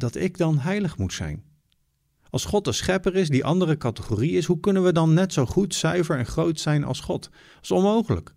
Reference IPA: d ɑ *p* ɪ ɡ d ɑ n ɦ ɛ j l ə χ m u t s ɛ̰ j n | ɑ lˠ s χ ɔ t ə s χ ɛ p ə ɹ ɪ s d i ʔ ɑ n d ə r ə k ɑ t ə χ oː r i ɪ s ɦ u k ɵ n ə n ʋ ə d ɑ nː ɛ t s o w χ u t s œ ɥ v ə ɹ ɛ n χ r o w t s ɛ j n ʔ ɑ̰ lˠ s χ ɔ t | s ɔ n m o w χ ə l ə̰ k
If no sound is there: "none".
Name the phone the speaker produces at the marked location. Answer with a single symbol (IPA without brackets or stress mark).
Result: t